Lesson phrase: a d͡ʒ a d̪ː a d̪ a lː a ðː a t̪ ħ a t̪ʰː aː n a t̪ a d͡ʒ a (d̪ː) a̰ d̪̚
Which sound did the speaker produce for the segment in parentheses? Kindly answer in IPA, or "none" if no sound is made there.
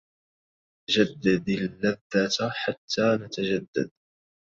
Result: d̪ː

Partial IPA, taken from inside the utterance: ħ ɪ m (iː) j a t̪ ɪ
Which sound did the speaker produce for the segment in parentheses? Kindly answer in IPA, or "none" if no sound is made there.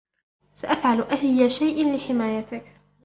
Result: aː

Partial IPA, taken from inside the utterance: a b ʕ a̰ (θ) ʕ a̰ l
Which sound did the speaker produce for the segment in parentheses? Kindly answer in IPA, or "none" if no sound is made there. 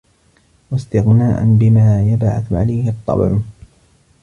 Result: θ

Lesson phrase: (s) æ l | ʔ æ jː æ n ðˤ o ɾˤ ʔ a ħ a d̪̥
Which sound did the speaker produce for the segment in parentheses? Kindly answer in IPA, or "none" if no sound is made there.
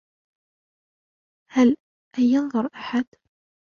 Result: h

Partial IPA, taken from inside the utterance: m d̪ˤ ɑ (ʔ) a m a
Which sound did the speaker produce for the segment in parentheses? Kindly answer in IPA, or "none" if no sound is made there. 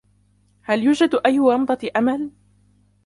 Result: ʔ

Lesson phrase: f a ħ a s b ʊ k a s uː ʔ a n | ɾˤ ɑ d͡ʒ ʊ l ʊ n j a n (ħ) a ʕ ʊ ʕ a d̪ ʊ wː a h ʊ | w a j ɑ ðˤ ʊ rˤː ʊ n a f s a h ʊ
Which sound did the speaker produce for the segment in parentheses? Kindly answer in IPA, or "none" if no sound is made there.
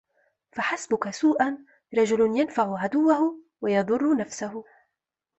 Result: f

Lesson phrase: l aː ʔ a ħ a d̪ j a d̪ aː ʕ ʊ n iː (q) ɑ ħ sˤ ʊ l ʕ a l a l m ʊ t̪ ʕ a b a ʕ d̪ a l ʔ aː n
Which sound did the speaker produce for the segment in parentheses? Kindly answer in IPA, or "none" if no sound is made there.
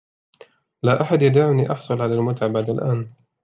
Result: ʔ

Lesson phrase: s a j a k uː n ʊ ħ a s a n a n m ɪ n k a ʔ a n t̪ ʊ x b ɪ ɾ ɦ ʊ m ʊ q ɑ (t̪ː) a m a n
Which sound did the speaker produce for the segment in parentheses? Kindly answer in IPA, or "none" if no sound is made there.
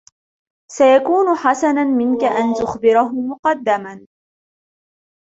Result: d̪ː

